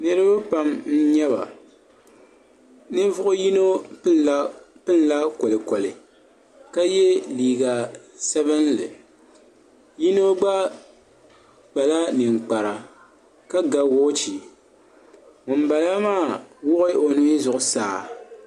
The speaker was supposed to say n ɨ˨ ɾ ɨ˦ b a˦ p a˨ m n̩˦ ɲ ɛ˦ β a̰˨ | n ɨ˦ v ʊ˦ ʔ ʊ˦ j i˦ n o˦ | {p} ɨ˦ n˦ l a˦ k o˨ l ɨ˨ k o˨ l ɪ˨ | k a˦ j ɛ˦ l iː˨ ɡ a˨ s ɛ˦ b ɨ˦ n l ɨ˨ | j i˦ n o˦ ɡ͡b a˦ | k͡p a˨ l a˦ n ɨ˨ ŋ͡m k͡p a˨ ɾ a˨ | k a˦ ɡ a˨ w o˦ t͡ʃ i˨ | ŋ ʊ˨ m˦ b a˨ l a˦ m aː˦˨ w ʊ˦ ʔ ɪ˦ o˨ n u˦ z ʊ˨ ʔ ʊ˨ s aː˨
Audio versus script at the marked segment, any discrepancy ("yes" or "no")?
no